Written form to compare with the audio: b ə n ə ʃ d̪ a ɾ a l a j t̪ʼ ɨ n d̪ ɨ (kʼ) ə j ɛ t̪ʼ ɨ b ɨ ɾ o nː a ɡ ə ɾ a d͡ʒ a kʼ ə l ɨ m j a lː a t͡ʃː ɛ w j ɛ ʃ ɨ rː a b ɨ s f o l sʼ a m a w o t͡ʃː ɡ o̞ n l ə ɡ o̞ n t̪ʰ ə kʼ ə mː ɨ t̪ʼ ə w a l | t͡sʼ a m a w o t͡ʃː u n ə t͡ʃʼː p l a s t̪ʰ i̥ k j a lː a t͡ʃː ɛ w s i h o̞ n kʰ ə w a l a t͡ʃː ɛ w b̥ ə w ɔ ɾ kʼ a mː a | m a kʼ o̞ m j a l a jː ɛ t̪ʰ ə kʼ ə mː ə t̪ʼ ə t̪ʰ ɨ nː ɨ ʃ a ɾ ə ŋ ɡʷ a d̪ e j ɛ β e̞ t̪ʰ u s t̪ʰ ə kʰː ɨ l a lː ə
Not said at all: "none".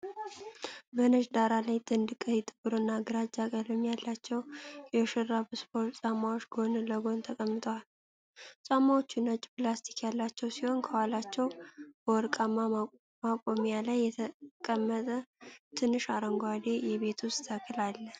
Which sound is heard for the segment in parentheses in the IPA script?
kʼ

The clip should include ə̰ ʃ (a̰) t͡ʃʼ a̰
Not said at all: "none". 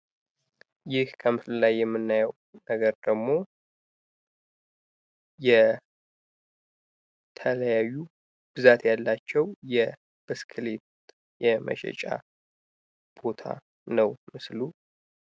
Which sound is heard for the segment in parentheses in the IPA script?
ɛ̰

